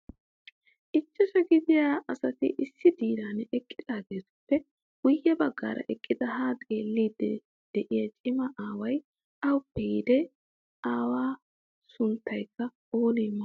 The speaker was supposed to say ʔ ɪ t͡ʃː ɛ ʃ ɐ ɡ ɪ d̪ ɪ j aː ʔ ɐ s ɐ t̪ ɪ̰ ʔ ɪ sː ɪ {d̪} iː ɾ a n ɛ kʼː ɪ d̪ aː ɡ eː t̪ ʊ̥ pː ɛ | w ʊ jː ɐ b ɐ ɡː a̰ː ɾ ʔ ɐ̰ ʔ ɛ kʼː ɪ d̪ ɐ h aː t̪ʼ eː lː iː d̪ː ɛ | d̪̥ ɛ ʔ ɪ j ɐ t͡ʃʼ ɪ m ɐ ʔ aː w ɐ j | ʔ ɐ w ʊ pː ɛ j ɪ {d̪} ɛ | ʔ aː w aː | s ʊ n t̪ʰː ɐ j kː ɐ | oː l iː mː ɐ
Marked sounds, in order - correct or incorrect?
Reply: correct, correct

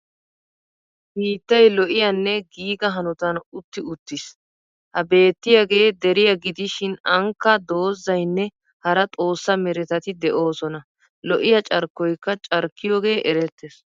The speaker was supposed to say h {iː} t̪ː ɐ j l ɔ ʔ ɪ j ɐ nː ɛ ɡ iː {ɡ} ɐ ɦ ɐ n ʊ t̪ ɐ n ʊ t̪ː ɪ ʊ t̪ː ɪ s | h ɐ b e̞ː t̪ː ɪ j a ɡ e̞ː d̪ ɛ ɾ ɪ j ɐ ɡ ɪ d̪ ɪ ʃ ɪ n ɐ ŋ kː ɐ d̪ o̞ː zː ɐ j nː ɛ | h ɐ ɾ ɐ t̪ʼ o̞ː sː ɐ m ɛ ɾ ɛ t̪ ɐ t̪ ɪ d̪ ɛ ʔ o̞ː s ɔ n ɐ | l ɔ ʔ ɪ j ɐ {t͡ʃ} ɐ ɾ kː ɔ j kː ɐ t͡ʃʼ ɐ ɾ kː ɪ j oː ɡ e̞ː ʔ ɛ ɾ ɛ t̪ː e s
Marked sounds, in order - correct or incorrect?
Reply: correct, correct, incorrect: t͡ʃʼ

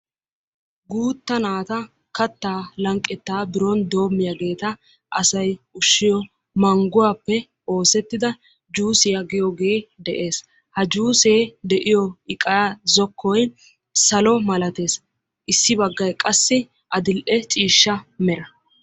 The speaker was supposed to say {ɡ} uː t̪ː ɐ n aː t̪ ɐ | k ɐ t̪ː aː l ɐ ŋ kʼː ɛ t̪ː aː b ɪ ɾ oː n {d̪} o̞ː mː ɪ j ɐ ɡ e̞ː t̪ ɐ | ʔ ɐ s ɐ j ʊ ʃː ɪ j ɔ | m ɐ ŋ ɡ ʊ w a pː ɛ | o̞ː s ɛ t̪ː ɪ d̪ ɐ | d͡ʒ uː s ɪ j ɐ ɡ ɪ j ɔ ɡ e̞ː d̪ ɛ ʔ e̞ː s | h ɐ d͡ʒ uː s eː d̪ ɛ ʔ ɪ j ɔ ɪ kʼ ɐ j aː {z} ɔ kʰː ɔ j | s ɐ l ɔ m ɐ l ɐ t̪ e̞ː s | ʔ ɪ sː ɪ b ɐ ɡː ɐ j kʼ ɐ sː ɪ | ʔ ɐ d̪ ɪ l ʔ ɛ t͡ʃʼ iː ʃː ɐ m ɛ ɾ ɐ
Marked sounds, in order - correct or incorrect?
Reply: correct, correct, correct

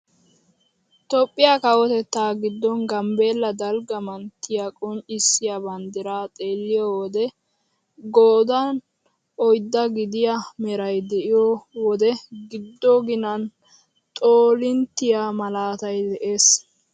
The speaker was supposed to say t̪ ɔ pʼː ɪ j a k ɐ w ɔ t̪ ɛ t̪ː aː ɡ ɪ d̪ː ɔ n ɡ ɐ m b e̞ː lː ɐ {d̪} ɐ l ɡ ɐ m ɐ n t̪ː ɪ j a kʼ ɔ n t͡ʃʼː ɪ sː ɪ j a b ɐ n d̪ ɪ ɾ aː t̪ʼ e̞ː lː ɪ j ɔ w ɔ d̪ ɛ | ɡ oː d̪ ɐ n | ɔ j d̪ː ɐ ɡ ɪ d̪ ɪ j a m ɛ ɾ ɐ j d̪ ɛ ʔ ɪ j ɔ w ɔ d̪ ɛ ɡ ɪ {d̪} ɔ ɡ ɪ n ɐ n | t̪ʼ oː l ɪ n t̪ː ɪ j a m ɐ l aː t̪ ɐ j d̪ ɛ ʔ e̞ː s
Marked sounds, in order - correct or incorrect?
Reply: correct, incorrect: d̪ː

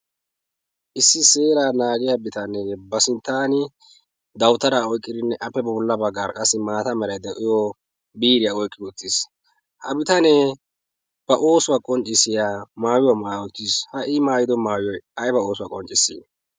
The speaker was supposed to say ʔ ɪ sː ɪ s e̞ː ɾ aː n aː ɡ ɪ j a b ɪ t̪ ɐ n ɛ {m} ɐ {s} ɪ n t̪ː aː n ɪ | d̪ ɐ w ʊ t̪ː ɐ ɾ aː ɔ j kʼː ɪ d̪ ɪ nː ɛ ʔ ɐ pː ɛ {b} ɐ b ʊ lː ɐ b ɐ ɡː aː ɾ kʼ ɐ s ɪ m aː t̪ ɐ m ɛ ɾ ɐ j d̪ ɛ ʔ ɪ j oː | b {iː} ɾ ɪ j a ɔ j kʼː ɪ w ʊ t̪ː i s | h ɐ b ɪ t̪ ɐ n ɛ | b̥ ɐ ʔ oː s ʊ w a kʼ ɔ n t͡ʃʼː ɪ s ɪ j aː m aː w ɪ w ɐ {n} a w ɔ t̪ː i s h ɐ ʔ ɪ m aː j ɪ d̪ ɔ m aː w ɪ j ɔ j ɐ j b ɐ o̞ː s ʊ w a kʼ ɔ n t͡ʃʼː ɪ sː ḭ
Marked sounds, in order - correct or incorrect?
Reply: incorrect: b, correct, correct, correct, incorrect: m

